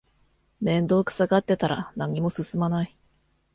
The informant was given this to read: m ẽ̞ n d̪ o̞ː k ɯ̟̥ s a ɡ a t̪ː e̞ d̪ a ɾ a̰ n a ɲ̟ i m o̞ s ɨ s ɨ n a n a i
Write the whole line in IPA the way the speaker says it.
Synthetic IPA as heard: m ẽ̞ n d̪ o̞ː k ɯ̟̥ s a ɡ a t̪ː e̞ t̪ a ɾ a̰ n a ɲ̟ i m o̞ s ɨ s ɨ m a n a i